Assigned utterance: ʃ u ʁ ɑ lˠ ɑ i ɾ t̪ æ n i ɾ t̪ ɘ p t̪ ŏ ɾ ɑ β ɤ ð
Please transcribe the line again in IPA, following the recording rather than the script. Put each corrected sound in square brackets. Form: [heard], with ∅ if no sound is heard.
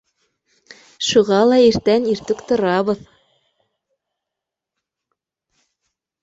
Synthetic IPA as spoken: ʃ u ʁ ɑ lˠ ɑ i ɾ t̪ æ n i ɾ t̪ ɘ [k] t̪ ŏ ɾ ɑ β ɤ ð